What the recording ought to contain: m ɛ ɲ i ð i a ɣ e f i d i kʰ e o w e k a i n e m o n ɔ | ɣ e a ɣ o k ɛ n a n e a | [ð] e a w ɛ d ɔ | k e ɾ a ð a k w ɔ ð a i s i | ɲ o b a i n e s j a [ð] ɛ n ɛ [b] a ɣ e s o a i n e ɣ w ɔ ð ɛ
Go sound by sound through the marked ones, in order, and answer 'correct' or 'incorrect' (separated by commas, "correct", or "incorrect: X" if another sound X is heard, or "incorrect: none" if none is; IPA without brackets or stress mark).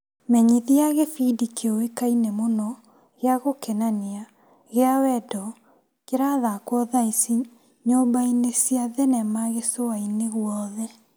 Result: incorrect: ɣ, correct, incorrect: m